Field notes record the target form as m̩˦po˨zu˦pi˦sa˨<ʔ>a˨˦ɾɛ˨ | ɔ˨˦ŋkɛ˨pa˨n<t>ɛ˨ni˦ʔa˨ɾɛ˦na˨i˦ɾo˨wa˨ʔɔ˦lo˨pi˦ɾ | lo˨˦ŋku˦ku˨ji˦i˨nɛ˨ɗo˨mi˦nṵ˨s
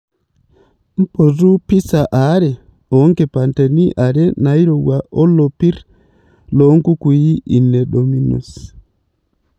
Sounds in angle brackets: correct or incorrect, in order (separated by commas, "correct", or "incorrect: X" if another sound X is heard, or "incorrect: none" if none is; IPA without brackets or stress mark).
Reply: correct, correct